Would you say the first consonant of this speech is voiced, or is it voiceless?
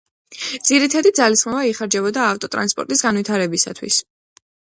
voiced